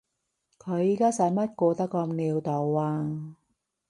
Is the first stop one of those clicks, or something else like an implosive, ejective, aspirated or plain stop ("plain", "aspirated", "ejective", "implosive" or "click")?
aspirated